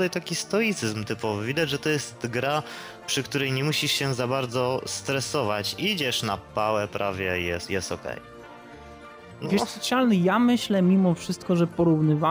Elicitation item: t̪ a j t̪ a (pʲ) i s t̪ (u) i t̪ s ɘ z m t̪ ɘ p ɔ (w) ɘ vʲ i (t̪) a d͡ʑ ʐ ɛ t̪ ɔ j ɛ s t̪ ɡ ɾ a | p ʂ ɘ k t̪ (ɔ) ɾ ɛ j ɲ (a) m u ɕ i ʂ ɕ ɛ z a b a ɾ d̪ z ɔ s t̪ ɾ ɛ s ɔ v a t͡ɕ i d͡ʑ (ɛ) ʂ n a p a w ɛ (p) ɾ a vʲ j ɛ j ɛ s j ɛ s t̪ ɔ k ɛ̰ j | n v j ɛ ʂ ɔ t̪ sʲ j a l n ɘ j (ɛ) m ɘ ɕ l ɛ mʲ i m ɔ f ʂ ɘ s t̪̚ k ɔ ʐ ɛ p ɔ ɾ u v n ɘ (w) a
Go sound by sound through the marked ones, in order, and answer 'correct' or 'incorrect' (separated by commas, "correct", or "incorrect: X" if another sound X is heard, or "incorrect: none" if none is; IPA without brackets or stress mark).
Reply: incorrect: kʲ, incorrect: ɔ, incorrect: v, incorrect: d̪, incorrect: u, incorrect: ɛ, correct, correct, incorrect: a, incorrect: v